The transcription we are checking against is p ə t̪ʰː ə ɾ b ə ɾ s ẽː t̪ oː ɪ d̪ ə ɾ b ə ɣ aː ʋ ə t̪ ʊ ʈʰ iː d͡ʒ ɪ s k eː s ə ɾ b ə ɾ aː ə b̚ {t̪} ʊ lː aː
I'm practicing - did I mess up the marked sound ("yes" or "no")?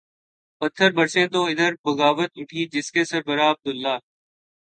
yes